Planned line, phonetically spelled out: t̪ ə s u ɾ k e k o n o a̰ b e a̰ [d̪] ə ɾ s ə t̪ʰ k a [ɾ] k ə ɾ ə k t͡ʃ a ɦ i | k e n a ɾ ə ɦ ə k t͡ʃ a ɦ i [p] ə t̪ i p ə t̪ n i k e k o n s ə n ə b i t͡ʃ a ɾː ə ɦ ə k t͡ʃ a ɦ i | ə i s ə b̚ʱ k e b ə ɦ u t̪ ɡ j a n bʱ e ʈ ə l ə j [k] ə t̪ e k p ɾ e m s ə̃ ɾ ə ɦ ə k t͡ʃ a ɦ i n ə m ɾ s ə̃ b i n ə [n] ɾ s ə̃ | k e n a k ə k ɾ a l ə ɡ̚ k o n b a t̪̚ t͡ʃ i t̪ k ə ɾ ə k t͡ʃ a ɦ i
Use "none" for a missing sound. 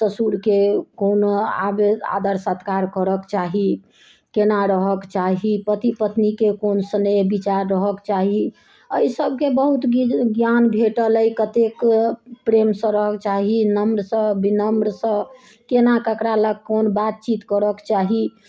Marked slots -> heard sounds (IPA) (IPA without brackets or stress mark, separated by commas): d̪, ɾ, p, k, m